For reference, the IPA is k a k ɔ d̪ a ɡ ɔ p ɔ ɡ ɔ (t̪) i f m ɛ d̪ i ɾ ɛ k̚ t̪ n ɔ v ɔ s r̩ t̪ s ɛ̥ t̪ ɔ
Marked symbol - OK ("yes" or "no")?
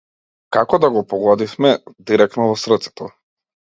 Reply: no